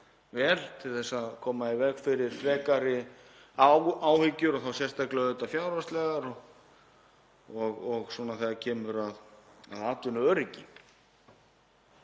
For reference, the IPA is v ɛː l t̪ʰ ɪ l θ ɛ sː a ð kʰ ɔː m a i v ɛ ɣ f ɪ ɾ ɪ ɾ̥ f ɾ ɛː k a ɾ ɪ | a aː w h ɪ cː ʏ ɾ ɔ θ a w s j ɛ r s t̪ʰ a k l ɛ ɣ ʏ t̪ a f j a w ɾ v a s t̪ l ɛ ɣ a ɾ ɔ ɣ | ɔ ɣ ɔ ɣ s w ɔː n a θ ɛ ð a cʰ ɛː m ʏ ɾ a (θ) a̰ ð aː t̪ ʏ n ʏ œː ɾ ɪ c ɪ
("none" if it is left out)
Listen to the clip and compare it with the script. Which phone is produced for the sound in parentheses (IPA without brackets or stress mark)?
ð